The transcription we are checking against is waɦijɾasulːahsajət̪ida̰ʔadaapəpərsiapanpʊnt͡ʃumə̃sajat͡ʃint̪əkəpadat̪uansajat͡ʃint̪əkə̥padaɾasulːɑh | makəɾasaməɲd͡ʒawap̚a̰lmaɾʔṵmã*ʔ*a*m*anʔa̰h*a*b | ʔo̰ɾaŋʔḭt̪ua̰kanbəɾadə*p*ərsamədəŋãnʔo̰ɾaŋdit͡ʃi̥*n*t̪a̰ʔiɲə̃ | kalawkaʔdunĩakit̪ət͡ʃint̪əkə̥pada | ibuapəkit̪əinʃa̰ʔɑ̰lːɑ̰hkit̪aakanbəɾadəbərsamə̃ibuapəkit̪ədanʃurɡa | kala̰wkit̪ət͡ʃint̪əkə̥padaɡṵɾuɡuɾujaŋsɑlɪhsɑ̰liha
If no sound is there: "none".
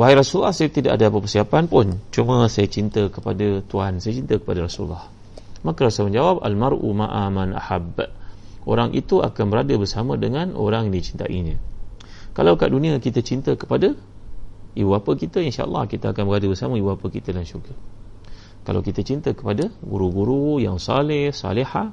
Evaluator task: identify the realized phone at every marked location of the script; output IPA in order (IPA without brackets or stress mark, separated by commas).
ʔ, m, a, b, n